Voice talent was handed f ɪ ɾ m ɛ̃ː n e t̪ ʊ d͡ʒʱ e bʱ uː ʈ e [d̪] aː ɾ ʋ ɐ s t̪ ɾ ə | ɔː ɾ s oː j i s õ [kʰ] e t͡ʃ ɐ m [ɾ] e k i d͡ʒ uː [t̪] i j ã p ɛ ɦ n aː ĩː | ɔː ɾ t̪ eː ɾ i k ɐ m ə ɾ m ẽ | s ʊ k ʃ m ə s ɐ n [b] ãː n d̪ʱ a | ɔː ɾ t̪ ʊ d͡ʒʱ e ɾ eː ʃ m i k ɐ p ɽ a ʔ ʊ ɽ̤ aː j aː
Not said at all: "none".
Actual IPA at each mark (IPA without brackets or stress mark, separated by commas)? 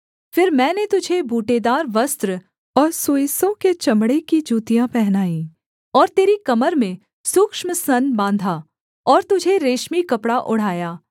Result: d̪, k, ɽ, t̪, b